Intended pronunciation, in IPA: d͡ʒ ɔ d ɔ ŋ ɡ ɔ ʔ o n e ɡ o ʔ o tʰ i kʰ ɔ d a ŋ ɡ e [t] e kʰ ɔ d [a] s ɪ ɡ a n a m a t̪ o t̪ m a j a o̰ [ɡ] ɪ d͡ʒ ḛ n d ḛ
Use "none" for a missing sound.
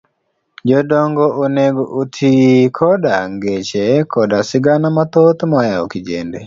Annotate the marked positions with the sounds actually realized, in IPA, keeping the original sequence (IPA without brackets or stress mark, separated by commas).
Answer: t͡ʃ, a, k